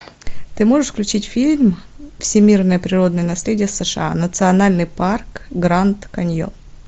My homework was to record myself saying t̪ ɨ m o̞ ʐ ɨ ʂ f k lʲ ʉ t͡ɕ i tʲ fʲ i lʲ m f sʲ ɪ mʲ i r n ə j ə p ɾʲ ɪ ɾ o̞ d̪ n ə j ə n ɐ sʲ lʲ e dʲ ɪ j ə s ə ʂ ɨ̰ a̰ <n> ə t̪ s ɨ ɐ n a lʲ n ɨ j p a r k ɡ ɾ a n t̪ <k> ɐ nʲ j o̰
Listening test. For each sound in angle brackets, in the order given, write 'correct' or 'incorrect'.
correct, correct

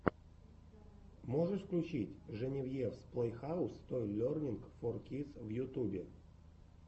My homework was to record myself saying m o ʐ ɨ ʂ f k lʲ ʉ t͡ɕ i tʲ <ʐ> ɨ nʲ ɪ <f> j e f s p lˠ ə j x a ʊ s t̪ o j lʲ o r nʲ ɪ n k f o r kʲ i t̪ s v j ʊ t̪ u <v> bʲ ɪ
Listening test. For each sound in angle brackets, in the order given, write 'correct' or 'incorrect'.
correct, incorrect, incorrect

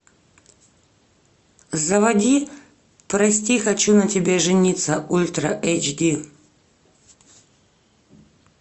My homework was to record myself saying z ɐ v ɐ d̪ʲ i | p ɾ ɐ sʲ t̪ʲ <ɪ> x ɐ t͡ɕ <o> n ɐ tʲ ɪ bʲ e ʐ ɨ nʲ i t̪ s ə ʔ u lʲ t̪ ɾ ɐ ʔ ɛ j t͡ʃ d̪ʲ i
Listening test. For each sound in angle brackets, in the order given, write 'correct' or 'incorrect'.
incorrect, incorrect

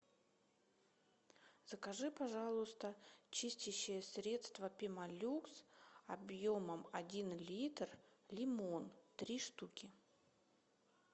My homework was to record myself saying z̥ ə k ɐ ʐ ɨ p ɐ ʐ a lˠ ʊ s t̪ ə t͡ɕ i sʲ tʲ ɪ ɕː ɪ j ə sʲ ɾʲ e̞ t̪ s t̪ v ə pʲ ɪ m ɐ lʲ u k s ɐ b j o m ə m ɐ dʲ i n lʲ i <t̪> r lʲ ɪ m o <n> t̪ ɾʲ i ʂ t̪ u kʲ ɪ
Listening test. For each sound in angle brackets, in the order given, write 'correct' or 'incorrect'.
correct, correct

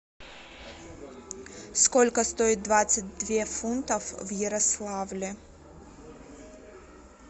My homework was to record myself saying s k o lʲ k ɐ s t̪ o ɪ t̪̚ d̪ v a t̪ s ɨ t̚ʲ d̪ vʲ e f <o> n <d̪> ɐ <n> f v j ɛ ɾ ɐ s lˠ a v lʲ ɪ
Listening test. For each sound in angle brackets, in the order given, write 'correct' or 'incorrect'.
incorrect, incorrect, incorrect

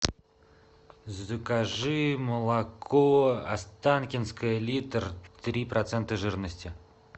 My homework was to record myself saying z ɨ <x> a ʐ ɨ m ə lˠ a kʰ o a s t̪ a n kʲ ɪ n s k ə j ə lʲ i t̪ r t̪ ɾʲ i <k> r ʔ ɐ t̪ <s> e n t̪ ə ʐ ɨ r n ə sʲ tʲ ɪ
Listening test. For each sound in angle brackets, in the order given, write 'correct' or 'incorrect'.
incorrect, incorrect, correct

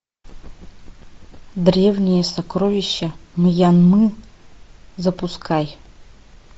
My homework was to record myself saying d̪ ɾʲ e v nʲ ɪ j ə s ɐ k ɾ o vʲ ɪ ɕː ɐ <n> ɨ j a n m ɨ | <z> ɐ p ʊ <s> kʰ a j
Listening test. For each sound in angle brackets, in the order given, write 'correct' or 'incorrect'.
incorrect, correct, correct

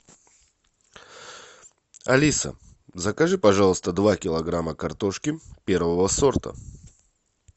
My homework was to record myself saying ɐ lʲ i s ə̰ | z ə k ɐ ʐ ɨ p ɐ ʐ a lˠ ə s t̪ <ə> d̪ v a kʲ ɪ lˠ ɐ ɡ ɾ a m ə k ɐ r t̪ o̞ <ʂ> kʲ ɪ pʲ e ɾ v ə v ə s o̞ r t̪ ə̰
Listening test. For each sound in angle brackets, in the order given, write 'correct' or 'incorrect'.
correct, correct

